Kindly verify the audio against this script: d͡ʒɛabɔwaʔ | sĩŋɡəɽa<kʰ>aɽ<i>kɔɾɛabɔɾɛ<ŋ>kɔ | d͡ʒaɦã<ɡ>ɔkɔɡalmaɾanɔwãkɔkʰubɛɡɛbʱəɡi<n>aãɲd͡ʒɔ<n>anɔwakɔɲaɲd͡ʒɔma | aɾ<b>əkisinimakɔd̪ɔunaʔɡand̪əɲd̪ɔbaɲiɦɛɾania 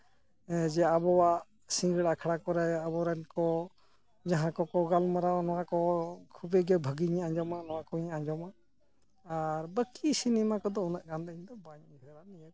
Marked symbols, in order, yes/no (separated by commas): yes, no, no, no, no, no, yes